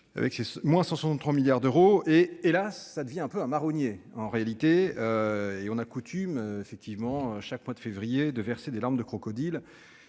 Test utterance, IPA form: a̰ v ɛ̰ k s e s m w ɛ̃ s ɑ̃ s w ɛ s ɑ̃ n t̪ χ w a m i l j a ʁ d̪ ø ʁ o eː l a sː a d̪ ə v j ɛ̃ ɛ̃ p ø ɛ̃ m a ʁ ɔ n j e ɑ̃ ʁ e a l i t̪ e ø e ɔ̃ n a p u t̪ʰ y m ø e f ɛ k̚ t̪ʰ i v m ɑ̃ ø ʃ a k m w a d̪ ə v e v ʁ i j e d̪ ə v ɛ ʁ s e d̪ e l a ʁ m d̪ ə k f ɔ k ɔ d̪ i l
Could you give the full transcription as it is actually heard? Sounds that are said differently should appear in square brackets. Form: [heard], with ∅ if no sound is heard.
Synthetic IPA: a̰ v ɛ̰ k s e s m w ɛ̃ s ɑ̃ s w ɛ s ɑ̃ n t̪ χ w a m i l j a ʁ d̪ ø ʁ o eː l a sː a d̪ ə v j ɛ̃ ɛ̃ p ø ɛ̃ m a ʁ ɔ n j e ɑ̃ ʁ e a l i t̪ e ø e ɔ̃ n a [k] u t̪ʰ y m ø e f ɛ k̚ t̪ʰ i v m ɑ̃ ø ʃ a k m w a d̪ ə [f] e v ʁ i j e d̪ ə v ɛ ʁ s e d̪ e l a ʁ m d̪ ə k [χ] ɔ k ɔ d̪ i l